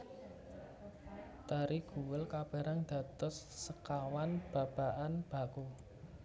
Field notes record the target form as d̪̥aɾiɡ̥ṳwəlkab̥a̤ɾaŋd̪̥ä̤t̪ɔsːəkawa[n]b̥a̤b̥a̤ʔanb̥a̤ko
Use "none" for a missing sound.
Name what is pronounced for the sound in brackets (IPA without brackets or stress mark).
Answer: n